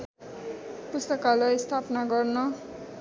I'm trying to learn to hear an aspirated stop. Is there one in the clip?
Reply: yes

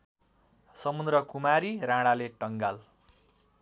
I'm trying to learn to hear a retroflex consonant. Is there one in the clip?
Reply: yes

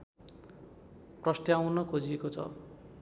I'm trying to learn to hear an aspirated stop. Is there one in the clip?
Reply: yes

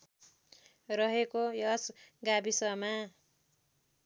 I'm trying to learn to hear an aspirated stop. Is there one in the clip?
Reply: no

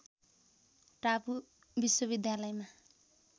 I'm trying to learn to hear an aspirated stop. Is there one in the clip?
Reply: no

